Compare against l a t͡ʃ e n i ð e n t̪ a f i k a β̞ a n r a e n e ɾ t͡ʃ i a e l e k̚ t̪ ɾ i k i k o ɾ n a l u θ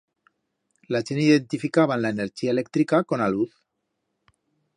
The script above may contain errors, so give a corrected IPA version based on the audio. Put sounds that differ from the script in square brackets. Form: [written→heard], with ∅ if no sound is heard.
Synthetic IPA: l a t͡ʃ e n i ð e n t̪ [a→i] f i k a β̞ a n [r→l] a e n e ɾ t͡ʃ i a e l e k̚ t̪ ɾ i k [i→a] k o [ɾ→∅] n a l u θ